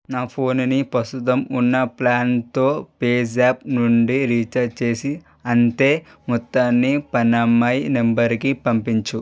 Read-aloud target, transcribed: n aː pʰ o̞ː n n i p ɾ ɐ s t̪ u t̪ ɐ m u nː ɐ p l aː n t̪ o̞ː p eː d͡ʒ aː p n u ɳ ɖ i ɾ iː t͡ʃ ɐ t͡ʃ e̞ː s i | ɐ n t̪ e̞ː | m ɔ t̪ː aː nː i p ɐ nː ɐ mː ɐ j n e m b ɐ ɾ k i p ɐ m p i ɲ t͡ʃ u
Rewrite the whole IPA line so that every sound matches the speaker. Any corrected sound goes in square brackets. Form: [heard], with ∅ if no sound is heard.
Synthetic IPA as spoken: n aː pʰ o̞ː n n i p ɾ ɐ s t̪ u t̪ ɐ m u nː ɐ p l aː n t̪ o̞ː p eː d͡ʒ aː p n u ɳ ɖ i ɾ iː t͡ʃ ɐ t͡ʃ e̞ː s i | ɐ n t̪ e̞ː | m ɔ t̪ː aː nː i p ɐ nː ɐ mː ɐ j n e m b ɐ ɾ k i p ɐ m p i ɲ t͡ʃ u

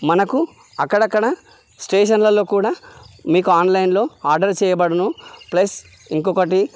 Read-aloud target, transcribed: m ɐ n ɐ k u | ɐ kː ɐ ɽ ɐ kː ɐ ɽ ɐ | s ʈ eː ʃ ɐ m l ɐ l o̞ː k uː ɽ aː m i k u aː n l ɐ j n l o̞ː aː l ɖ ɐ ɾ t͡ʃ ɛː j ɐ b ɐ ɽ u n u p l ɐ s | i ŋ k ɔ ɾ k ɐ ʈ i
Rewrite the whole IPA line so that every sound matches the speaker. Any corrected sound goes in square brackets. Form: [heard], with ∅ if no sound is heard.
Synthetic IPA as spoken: m ɐ n ɐ k u | ɐ kː ɐ ɽ ɐ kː ɐ ɽ ɐ | s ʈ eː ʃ ɐ [n] l ɐ l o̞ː k uː ɽ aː m [iː] k u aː n l ɐ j n l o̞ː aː [ɾ] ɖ ɐ ɾ t͡ʃ ɛː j ɐ b ɐ ɽ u n u p l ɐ s | i ŋ k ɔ [∅] k ɐ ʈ i

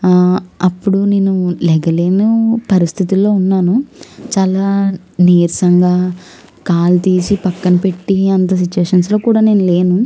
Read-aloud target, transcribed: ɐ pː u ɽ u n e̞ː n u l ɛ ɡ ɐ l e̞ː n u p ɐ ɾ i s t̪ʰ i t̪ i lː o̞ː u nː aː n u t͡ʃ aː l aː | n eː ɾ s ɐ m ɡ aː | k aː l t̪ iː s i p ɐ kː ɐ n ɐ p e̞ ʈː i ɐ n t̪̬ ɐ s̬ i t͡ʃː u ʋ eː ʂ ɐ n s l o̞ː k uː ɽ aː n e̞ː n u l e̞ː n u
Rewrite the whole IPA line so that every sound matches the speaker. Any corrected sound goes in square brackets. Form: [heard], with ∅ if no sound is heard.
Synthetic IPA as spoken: ɐ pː u ɽ u n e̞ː n u l ɛ ɡ ɐ l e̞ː n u p ɐ ɾ i s t̪ʰ i t̪ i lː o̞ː u nː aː n u t͡ʃ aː l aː | n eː ɾ s ɐ [ŋ] ɡ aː | k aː l t̪ iː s i p ɐ kː ɐ n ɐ p e̞ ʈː i ɐ n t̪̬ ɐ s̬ i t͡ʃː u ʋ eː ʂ ɐ n s l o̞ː k uː ɽ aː n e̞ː n u l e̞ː n u

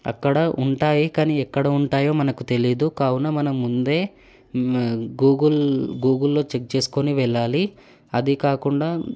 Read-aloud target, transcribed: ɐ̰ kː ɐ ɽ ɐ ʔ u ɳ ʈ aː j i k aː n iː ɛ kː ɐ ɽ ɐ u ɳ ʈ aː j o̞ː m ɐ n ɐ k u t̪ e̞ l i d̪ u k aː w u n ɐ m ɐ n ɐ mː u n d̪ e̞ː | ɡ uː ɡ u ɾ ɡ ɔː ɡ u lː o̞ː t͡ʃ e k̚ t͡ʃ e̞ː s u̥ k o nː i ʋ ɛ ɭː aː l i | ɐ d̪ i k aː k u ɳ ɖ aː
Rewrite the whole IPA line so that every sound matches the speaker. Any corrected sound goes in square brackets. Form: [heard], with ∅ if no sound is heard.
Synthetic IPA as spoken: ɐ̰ kː ɐ ɽ ɐ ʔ u ɳ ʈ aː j i k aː n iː ɛ kː ɐ ɽ ɐ u ɳ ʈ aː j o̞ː m ɐ n ɐ k u t̪ e̞ l i d̪ u k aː w u n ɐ m ɐ n ɐ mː u n d̪ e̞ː | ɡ uː ɡ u [l] ɡ [uː] ɡ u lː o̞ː t͡ʃ e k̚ t͡ʃ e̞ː s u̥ k o [n] i ʋ ɛ ɭː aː l i | ɐ d̪ i k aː k u ɳ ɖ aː

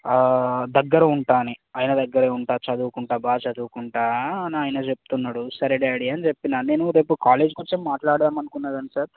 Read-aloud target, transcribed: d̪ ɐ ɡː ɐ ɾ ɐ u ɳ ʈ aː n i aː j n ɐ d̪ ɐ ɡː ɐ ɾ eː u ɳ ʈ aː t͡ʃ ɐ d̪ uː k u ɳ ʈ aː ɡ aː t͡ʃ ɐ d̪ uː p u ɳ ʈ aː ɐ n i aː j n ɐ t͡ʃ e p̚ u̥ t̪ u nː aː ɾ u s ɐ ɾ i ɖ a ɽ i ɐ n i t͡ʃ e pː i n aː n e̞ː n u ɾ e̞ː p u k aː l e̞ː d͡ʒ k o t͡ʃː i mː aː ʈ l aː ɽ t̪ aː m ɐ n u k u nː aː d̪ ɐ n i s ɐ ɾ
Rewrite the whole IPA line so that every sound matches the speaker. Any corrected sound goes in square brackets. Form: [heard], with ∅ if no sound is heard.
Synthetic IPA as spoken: d̪ ɐ ɡː ɐ ɾ ɐ u ɳ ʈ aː n i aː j n ɐ d̪ ɐ ɡː ɐ ɾ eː u ɳ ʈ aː t͡ʃ ɐ d̪ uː k u ɳ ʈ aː [b] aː t͡ʃ ɐ d̪ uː [k] u ɳ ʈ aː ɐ n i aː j n ɐ t͡ʃ e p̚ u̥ t̪ u nː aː [ɽ] u s ɐ ɾ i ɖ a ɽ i ɐ n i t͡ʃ e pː i n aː n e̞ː n u ɾ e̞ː p u k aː l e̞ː d͡ʒ k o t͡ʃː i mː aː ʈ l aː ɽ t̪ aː m ɐ n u k u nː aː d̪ ɐ n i s ɐ ɾ

